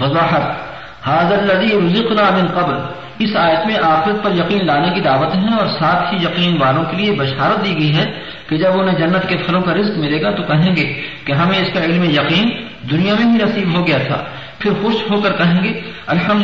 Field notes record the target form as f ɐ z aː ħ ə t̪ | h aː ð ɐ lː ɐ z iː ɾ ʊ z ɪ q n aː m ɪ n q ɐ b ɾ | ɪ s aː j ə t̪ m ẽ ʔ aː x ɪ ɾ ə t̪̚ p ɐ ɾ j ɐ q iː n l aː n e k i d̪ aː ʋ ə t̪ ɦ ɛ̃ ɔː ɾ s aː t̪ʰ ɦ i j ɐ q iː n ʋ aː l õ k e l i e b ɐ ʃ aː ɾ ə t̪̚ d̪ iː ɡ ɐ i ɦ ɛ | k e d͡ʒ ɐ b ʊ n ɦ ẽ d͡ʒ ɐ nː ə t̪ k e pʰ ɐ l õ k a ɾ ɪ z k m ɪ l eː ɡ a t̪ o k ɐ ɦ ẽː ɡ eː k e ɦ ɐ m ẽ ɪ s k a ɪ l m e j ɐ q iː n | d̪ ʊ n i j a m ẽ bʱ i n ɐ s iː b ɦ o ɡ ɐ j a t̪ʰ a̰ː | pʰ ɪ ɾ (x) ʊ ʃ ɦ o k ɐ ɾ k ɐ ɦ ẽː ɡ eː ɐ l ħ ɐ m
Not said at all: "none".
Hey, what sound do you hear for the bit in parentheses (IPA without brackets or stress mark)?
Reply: x